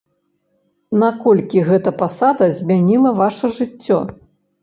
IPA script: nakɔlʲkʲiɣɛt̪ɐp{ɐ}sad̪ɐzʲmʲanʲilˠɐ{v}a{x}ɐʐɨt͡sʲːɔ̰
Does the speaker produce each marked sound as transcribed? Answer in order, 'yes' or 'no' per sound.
no, yes, no

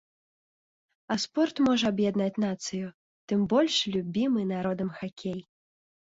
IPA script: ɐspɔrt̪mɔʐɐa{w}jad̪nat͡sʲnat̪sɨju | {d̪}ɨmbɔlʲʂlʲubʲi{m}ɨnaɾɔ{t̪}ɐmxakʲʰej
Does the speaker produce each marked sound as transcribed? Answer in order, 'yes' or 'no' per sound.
no, no, yes, no

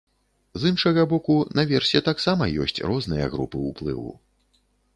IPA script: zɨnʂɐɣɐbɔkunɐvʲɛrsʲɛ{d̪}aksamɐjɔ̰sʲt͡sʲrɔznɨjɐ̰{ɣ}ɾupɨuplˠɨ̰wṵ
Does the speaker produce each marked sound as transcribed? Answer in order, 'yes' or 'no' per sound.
no, yes

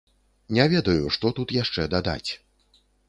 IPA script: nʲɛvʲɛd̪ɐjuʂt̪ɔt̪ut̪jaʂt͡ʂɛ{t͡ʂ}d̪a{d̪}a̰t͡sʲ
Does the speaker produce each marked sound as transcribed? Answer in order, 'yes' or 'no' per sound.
no, yes

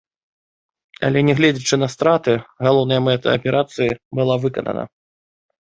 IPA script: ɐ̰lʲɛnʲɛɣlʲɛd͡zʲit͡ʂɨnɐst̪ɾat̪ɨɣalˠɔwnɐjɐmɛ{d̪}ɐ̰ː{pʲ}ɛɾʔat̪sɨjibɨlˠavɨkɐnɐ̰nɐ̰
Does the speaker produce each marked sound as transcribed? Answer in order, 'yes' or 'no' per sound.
no, yes

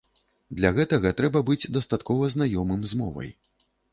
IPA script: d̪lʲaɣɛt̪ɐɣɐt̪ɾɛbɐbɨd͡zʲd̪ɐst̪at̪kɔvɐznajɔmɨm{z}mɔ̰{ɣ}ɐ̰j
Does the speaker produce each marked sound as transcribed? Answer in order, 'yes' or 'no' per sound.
yes, no

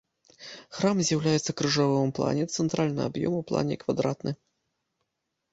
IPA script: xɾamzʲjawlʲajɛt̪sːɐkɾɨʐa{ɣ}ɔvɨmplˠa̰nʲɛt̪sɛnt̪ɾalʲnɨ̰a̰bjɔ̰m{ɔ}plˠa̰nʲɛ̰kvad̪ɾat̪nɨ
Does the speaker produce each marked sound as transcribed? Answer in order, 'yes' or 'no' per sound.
no, no

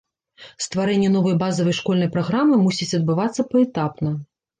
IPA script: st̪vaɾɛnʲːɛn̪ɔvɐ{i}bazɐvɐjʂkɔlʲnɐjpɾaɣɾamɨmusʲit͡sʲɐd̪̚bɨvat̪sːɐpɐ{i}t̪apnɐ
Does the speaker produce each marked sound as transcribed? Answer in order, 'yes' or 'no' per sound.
no, no

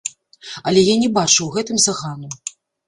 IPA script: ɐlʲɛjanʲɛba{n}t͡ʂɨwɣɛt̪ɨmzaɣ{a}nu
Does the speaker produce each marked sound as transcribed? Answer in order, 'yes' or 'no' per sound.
no, yes

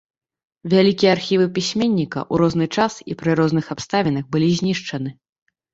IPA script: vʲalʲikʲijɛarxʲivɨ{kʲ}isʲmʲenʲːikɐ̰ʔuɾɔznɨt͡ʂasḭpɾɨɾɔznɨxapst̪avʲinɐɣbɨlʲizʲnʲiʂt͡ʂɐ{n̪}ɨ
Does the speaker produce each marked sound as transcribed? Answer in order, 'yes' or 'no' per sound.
no, yes

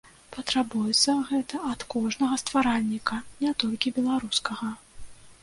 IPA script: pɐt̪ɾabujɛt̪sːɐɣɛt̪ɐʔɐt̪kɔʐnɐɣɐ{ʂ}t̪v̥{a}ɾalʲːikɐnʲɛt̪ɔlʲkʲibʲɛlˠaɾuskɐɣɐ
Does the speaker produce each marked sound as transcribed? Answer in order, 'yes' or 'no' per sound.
no, yes

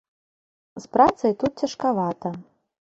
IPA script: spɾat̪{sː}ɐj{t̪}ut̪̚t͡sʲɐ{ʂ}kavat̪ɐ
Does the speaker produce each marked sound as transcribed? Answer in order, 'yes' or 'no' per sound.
no, yes, yes

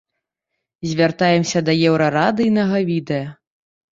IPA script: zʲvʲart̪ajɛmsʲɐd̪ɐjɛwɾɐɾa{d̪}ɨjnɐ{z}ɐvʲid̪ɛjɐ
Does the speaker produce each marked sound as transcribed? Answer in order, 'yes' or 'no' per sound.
yes, no

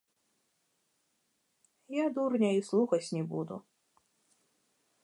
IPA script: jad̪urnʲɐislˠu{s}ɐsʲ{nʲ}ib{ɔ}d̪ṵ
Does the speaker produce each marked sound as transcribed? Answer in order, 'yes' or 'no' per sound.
no, yes, no

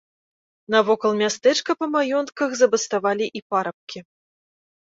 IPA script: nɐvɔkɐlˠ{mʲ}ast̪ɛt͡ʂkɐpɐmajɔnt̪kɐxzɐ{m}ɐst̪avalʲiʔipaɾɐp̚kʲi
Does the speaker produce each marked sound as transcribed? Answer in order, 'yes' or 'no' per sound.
yes, no

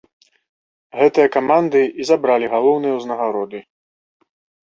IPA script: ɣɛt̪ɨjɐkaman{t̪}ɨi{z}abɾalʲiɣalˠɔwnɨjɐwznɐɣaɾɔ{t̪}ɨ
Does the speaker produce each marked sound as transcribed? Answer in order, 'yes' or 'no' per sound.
no, yes, no

